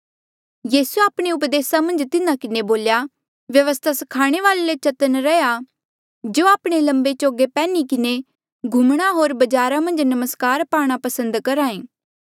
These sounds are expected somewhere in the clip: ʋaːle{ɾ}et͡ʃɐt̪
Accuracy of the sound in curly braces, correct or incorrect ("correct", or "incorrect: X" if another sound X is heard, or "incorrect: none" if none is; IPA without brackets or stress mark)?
incorrect: l